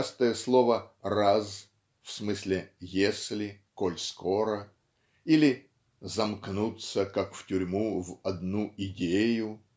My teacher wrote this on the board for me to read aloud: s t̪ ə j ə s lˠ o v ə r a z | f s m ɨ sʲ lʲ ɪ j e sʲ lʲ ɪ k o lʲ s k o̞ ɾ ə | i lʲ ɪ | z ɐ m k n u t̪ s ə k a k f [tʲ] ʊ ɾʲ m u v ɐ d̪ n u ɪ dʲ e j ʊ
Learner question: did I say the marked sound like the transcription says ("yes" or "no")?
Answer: yes